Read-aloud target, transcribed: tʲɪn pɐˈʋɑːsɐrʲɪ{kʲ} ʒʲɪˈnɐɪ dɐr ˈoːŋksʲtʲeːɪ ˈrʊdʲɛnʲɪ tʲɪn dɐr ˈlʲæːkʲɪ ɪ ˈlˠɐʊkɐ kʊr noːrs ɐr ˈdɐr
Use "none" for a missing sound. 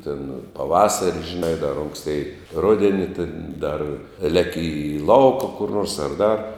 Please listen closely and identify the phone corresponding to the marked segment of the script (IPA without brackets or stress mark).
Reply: none